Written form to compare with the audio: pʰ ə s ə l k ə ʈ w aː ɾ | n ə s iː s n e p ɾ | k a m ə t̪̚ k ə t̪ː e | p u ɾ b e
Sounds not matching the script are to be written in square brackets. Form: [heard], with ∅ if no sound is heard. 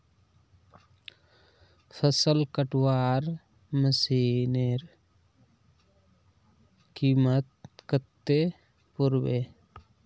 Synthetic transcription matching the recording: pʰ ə s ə l k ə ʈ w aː ɾ | [m] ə s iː [∅] n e [∅] ɾ | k [i] m ə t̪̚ k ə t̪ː e | p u ɾ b e